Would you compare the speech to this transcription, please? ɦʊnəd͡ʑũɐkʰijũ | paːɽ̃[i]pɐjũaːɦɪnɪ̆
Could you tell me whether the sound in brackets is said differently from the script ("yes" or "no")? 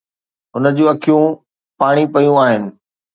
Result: no